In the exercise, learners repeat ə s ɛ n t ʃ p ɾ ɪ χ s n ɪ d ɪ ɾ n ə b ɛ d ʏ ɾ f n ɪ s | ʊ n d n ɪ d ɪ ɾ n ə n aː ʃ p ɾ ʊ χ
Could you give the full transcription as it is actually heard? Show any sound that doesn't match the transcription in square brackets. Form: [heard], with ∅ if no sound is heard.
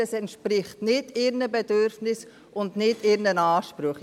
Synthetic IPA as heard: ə s ɛ n t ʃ p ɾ ɪ χ [t] n ɪ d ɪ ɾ n ə b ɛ d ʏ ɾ f n ɪ s | ʊ n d n ɪ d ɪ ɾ n ə n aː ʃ p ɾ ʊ χ